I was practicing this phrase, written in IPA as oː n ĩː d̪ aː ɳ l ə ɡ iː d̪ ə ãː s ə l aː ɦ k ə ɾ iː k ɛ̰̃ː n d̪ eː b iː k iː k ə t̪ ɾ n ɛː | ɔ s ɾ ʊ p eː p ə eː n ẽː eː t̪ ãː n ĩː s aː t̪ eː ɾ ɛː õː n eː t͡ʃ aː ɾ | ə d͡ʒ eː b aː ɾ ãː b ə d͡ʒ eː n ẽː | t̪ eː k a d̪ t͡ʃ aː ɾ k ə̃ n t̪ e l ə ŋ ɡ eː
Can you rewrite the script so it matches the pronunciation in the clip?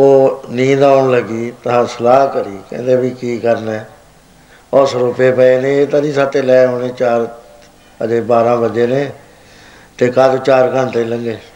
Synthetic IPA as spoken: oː n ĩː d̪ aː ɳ l ə ɡ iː t̪ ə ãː s ə l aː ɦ k ə ɾ iː k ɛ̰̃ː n d̪ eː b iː k iː k ə ɾ n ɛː | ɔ s ɾ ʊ p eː p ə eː n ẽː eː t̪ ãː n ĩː s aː t̪ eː l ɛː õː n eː t͡ʃ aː ɾ | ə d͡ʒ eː b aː ɾ ãː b ə d͡ʒ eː n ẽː | t̪ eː k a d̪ t͡ʃ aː ɾ k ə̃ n t̪ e l ə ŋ ɡ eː